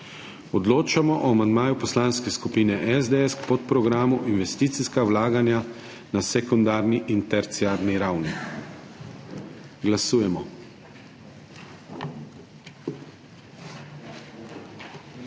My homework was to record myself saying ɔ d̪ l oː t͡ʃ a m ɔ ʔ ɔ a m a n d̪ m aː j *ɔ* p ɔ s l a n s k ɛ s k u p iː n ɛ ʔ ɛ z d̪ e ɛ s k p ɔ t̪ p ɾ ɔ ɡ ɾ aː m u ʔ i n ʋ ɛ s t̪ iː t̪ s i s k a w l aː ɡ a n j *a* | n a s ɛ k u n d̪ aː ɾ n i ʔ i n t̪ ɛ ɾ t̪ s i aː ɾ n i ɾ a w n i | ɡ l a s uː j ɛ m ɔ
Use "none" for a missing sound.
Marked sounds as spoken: u, a

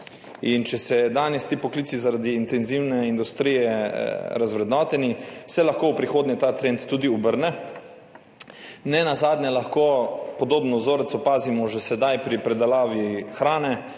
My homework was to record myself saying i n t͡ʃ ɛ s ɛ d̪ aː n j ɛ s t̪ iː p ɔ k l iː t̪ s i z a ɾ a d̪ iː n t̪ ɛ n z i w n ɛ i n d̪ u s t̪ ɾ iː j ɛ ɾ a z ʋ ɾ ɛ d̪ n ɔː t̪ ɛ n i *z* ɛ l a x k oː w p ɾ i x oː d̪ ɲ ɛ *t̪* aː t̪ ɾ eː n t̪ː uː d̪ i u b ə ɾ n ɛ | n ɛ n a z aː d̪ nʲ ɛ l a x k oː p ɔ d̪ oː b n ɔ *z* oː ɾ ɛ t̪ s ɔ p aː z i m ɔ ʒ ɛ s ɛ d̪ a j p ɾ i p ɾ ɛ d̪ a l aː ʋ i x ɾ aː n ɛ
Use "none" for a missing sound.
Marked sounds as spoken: s, t̪, z

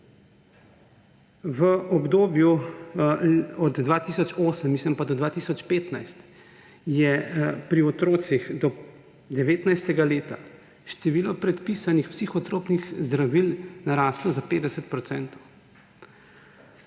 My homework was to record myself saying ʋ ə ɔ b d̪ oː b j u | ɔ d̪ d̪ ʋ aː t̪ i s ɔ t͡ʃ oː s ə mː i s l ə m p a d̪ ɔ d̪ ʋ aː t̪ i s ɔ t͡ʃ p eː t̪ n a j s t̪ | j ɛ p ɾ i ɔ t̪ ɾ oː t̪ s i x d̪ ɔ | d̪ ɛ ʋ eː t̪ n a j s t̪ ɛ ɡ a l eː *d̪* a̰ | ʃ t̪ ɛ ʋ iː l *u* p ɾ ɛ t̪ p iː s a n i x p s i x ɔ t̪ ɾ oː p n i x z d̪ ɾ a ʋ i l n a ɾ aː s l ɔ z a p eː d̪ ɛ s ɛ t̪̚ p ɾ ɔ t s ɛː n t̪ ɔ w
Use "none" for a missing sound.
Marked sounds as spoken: t̪, ɔ

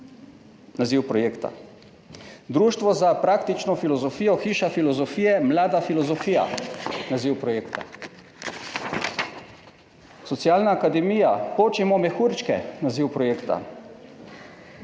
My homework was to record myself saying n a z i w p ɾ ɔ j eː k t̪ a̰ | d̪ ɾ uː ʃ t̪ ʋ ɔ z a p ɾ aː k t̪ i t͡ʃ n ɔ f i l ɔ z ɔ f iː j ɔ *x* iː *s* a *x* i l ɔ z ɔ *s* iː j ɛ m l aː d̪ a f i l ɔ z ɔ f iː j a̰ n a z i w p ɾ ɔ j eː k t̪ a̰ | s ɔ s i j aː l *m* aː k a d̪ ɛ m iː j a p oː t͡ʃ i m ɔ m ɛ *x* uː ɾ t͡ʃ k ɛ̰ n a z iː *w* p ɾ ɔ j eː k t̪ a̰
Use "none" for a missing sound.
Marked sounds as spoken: x, ʃ, f, f, n, x, w

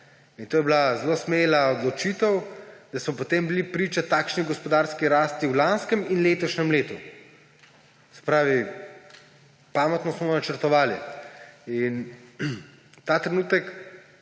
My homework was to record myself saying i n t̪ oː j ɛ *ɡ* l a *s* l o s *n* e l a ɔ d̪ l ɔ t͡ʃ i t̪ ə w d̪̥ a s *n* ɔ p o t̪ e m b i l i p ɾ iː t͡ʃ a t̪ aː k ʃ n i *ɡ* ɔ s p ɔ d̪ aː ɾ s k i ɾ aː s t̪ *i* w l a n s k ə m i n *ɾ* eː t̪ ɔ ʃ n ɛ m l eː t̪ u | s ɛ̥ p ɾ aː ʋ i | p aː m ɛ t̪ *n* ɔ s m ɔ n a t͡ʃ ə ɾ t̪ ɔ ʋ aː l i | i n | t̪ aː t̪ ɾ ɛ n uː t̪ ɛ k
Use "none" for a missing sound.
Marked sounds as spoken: b, z, m, m, ɡ, i, l, n

